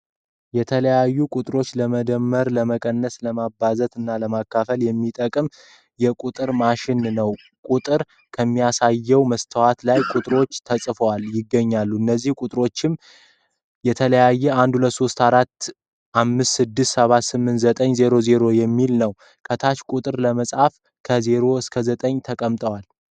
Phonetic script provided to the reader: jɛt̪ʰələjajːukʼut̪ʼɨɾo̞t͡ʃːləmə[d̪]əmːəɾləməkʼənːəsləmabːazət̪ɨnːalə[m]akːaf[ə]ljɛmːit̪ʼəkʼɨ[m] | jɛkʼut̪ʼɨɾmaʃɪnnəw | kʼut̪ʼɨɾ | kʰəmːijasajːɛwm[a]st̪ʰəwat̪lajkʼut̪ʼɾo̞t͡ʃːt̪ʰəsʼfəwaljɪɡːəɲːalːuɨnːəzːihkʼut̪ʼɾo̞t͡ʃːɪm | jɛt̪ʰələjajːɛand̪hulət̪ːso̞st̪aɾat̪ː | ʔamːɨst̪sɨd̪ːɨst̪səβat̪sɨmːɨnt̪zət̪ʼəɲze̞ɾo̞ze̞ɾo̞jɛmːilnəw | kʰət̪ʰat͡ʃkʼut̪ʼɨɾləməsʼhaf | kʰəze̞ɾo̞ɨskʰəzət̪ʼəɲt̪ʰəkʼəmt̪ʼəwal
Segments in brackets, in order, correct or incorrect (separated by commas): correct, correct, correct, correct, incorrect